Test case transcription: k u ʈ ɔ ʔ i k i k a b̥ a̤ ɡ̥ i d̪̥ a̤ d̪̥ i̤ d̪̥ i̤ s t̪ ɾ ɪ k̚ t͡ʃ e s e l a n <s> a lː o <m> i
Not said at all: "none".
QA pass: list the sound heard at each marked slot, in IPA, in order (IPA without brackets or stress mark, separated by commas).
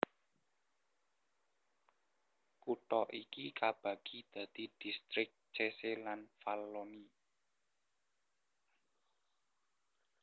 f, n